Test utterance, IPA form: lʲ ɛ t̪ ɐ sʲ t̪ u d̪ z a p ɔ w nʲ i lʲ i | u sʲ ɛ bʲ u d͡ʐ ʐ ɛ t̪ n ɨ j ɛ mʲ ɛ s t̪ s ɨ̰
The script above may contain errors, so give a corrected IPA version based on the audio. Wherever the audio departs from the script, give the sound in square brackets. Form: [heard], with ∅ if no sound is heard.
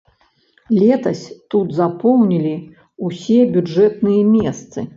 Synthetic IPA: lʲ ɛ t̪ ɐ sʲ t̪ u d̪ z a p ɔ w nʲ i lʲ i | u sʲ ɛ bʲ u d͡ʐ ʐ ɛ t̪ n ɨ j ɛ mʲ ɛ s t̪ s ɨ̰